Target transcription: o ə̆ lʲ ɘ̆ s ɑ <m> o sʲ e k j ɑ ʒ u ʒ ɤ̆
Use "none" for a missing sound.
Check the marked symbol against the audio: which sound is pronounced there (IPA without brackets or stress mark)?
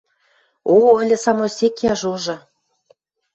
m